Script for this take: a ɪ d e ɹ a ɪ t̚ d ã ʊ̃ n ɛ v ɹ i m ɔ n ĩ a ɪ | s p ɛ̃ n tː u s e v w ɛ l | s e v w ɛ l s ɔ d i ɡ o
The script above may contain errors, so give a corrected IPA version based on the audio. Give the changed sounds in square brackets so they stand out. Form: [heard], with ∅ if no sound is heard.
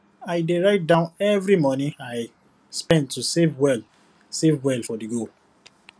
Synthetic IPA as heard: a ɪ d e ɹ a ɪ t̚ d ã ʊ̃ n ɛ v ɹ i m ɔ n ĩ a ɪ | s p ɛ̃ n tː u s e v w ɛ l | s e v w ɛ l [f] ɔ d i ɡ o